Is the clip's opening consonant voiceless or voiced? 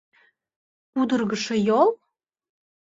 voiced